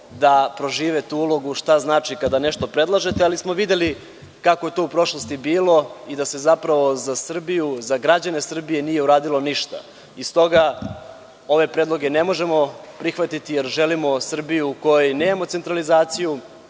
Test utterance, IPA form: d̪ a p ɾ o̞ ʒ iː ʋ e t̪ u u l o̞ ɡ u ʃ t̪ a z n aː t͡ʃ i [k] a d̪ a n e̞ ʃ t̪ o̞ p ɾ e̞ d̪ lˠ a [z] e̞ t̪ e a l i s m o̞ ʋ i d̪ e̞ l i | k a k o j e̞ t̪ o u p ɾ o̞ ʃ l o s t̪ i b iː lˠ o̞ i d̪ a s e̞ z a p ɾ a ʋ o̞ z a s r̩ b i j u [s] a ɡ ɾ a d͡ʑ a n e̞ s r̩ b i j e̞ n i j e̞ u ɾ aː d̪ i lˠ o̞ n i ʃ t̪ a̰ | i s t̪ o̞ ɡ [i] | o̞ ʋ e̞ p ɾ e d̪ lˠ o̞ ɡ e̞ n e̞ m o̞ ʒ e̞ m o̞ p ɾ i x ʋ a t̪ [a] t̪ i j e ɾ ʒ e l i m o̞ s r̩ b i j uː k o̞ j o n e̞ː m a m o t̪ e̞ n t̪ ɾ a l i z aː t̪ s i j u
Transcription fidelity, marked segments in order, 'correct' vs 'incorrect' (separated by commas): correct, incorrect, incorrect, incorrect, incorrect